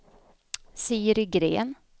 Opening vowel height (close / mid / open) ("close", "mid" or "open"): close